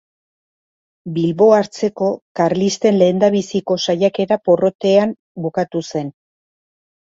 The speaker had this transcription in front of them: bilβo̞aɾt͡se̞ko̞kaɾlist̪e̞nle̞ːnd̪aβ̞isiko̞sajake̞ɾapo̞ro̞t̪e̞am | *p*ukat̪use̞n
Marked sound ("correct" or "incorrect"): incorrect